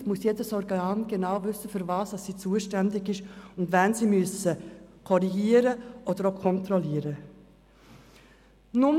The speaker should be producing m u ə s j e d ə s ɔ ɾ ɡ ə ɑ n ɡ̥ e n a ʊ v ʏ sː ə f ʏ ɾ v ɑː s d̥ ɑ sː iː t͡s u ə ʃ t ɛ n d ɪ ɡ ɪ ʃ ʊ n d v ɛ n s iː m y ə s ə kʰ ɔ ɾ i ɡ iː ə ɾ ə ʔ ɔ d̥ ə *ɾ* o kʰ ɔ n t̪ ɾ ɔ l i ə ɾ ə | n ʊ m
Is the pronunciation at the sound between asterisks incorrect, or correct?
correct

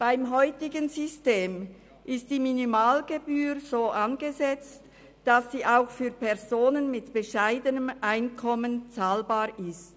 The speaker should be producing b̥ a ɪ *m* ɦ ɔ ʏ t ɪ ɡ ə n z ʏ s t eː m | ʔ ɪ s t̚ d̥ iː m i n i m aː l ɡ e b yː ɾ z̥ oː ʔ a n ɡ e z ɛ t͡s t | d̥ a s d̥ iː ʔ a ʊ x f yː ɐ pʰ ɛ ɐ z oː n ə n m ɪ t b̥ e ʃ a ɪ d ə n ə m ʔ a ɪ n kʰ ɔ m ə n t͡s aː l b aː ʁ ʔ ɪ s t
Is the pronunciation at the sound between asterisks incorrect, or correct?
correct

